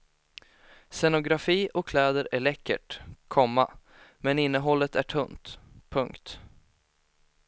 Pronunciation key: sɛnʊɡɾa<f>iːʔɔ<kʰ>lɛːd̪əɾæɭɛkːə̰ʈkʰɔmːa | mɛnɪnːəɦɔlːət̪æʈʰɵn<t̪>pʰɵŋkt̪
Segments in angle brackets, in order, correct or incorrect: correct, correct, correct

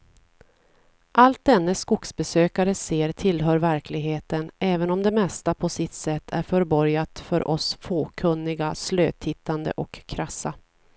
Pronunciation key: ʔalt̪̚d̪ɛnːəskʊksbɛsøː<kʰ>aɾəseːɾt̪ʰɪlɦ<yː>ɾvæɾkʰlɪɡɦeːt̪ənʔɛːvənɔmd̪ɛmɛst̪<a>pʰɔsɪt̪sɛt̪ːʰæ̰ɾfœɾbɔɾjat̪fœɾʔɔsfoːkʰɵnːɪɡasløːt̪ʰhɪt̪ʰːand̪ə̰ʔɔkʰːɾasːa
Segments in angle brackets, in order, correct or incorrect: incorrect, incorrect, correct

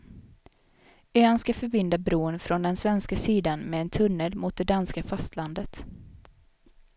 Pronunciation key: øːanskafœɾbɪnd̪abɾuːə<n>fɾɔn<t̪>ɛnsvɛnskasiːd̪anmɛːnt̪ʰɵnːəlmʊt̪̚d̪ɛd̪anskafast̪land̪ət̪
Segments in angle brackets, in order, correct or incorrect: correct, incorrect

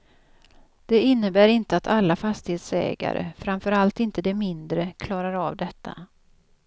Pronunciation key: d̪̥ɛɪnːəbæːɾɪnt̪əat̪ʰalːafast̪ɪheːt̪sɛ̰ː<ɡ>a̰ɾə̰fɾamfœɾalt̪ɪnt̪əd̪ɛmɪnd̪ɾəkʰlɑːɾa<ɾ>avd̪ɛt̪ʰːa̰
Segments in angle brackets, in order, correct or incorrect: correct, correct

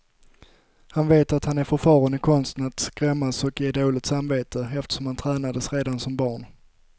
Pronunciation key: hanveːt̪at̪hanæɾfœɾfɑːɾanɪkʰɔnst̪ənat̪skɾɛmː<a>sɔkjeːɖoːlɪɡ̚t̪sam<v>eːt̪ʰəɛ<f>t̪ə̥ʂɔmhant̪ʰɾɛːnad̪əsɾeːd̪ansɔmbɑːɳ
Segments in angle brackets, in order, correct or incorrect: correct, correct, correct

